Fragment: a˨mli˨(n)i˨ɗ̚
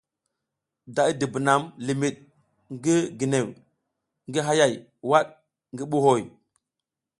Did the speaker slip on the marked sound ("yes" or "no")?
yes